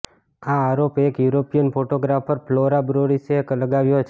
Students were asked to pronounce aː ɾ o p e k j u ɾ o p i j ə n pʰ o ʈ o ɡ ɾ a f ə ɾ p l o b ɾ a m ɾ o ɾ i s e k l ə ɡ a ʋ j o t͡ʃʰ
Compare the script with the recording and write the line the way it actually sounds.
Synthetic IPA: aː ɾ o p e k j u ɾ o p i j ə n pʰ o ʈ o ɡ ɾ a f ə ɾ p l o ɾ a b ɾ o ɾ i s e k l ə ɡ a ʋ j o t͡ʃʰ